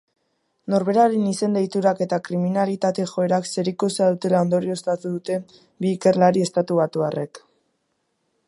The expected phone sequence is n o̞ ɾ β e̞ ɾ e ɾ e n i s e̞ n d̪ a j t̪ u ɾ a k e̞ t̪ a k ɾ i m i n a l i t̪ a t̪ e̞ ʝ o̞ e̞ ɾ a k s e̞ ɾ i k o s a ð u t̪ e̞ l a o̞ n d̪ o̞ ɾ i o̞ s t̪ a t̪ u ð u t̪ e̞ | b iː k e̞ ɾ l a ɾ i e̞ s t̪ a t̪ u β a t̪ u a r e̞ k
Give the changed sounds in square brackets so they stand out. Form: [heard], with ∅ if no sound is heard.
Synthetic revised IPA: n o̞ ɾ β e̞ ɾ [a] ɾ e n i s e̞ n d̪ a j t̪ u ɾ a k e̞ t̪ a k ɾ i m i n a l i t̪ a t̪ e̞ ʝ o̞ e̞ ɾ a k s e̞ ɾ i k o s a ð u t̪ e̞ l a o̞ n d̪ o̞ ɾ i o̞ s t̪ a t̪ u ð u t̪ e̞ | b iː k e̞ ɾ l a ɾ i e̞ s t̪ a t̪ u β a t̪ u a r e̞ k